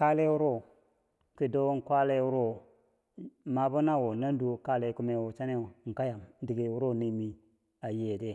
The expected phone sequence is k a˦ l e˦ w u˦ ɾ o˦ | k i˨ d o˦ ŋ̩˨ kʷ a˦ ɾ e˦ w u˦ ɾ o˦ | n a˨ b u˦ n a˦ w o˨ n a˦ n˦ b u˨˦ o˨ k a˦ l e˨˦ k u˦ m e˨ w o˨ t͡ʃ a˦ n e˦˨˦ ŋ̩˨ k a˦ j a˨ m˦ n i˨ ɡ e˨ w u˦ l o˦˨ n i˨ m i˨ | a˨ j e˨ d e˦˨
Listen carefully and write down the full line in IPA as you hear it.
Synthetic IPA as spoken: k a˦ l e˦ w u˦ ɾ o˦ | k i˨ d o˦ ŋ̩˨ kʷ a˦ l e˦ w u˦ ɾ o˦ | m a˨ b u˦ n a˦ w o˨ n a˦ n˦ d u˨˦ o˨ k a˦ l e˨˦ k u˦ m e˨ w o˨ t͡ʃ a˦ n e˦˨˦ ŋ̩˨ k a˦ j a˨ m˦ d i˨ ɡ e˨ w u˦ ɾ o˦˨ n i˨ m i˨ | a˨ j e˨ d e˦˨